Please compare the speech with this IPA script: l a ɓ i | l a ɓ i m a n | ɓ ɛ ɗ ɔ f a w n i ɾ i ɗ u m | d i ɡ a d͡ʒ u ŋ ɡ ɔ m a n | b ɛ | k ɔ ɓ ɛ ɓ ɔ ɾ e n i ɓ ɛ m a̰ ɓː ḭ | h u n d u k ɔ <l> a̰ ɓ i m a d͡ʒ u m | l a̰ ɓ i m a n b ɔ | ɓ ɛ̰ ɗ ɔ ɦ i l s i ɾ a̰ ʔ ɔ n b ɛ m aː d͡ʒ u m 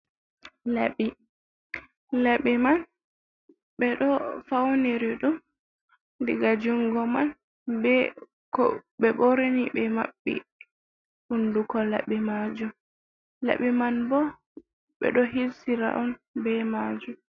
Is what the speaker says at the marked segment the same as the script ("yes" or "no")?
yes